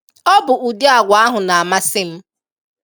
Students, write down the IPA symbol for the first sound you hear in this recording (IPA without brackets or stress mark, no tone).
ɔ